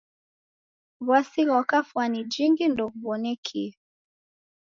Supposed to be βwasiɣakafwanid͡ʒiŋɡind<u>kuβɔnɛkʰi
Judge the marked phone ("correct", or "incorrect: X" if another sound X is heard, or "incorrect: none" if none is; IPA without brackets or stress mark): incorrect: ɔ